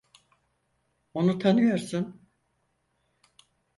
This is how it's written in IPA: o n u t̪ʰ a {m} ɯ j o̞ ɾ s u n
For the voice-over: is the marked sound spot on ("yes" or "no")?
no